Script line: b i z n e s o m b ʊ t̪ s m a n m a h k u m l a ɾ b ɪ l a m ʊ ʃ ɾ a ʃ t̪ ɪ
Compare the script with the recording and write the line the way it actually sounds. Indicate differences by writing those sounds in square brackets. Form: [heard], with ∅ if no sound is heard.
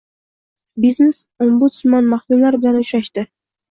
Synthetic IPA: b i z n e s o m b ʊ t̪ s m a n m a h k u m l a ɾ b ɪ l a [n] ʊ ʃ ɾ a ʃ t̪ ɪ